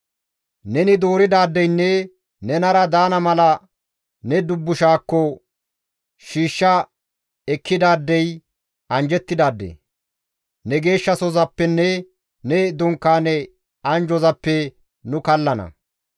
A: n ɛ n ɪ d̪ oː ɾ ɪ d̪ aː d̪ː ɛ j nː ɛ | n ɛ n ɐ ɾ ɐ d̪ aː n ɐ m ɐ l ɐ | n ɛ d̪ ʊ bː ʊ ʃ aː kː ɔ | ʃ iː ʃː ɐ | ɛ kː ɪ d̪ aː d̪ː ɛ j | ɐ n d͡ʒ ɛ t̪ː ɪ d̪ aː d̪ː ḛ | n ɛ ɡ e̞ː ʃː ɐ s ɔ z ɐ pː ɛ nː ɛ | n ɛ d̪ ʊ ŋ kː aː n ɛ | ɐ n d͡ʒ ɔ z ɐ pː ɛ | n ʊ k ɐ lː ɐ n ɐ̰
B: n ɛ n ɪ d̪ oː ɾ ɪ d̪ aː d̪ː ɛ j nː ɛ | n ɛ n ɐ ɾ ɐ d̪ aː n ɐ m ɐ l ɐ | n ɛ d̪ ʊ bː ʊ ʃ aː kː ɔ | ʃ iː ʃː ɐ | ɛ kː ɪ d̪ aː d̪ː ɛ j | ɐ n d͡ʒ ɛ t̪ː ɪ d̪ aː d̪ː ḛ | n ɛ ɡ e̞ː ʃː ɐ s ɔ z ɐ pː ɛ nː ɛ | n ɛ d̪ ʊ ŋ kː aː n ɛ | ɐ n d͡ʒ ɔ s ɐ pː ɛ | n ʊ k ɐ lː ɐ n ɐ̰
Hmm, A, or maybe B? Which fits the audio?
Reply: A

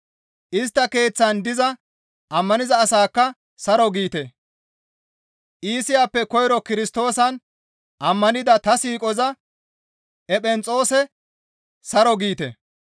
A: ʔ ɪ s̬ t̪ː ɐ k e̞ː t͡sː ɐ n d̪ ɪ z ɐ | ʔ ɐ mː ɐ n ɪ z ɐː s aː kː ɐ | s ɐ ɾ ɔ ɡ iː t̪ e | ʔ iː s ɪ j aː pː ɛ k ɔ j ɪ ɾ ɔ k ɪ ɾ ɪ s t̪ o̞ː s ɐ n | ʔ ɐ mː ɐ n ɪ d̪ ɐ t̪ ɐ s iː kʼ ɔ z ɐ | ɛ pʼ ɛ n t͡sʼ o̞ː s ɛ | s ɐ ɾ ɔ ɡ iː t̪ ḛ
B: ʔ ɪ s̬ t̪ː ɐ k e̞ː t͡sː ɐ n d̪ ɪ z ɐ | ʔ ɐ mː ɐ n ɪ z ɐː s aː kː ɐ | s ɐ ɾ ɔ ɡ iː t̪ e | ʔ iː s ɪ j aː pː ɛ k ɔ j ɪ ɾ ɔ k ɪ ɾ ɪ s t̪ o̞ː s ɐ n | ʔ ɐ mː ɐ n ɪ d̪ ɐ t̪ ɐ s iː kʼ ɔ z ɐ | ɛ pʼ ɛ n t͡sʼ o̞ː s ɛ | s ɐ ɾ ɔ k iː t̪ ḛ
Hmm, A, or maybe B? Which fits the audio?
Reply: A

